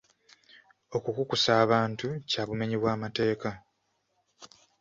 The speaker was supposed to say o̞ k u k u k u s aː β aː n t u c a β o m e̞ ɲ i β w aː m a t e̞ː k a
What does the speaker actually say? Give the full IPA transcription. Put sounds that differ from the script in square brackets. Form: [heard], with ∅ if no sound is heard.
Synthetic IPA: o̞ k u k u k u s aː β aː n t u c a β [u] m e̞ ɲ i β w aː m a t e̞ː k a

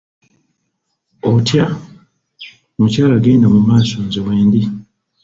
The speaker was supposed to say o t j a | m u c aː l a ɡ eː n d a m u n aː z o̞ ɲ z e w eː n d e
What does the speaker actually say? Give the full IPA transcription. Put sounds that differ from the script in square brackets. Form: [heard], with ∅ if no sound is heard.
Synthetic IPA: o t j a | m u c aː l a ɡ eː n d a m u [m] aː [s] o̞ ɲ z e w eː n d [i]

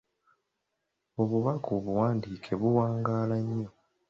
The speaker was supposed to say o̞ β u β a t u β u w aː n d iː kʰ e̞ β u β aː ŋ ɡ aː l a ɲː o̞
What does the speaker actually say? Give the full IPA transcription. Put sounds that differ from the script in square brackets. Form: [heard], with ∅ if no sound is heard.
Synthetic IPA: o̞ β u β a [k] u β u w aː n d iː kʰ e̞ β u [w] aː ŋ ɡ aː l a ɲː o̞

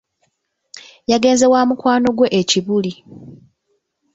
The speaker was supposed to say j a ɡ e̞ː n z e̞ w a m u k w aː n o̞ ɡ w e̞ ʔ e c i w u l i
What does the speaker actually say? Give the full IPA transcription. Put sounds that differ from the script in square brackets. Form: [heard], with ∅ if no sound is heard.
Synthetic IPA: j a ɡ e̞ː n z e̞ w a m u k w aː n o̞ ɡ w e̞ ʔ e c i [β] u l i

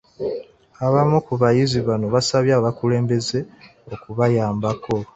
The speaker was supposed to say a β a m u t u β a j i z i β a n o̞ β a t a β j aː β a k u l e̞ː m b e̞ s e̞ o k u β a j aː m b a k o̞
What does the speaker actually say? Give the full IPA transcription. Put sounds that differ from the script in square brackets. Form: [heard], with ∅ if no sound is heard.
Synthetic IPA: a β a m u [k] u β a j i z i β a n o̞ β a [s] a β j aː β a k u l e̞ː m b e̞ [z] e̞ o k u β a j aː m b a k o̞

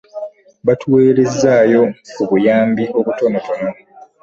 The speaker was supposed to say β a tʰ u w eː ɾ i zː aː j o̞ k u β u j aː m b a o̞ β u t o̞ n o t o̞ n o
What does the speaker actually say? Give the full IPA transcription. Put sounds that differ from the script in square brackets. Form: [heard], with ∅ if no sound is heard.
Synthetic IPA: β a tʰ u w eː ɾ [e] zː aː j o̞ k u β u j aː m b [i] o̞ β u t o̞ n o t o̞ n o

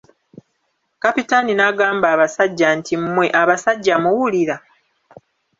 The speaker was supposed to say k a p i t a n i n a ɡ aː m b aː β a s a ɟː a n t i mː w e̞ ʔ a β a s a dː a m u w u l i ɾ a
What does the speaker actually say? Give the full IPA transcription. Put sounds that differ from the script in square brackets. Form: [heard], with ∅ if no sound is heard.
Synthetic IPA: k a p i t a n i n a ɡ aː m b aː β a s a ɟː a n t i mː w e̞ ʔ a β a s a [ɟː] a m u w u l i ɾ a

